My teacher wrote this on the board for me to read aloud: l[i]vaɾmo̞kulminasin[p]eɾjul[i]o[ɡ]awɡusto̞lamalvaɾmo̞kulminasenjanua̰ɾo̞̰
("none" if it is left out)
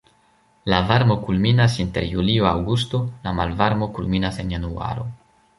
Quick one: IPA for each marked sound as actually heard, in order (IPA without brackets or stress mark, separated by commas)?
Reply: a, t, i, none